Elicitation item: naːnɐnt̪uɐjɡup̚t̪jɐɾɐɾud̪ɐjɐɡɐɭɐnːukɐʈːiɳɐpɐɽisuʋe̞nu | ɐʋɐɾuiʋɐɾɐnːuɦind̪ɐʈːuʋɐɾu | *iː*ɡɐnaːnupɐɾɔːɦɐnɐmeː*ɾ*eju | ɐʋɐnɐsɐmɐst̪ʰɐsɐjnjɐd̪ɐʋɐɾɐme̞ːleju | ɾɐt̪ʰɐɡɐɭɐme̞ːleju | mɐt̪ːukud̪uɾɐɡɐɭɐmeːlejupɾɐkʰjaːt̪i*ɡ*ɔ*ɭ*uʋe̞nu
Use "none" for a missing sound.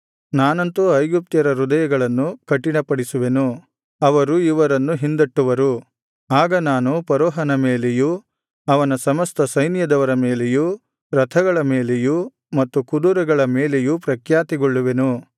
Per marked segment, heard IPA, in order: aː, l, ɡ, ɭː

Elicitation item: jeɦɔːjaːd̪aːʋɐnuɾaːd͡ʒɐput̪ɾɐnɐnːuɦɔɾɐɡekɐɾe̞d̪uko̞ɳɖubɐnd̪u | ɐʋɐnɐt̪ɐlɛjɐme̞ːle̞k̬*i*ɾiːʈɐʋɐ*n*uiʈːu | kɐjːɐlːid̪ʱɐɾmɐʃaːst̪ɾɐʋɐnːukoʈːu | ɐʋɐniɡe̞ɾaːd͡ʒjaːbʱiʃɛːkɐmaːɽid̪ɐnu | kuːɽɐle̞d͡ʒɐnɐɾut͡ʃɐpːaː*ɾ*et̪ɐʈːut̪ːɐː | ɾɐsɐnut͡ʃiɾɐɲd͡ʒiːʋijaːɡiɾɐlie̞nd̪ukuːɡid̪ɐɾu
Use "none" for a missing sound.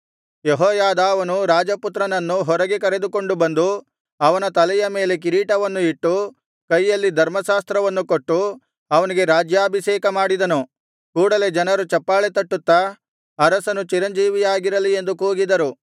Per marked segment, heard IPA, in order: i, nː, ɭ

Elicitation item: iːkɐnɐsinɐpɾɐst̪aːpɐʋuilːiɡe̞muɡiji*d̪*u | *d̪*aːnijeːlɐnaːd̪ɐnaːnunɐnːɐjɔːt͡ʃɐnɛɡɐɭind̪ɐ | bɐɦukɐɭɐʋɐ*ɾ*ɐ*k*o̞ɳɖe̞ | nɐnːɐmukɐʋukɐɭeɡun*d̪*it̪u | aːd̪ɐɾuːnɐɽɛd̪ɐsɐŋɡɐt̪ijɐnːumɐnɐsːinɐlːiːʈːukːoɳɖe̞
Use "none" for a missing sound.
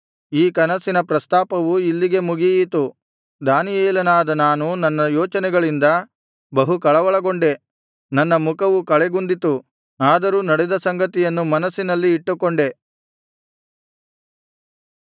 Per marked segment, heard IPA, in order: t̪, d̪, ɭ, ɡ, d̪

